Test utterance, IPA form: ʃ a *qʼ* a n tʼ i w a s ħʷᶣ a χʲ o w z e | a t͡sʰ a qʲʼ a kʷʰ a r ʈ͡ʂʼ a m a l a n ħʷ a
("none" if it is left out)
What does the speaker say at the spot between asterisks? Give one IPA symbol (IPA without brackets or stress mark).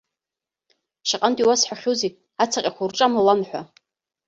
qʼ